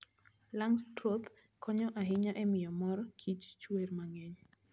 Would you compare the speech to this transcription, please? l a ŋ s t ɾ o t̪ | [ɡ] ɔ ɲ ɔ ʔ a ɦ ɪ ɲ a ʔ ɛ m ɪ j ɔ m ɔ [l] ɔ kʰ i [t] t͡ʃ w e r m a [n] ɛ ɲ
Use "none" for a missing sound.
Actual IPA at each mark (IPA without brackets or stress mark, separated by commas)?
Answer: k, ɾ, t͡ʃ, ŋ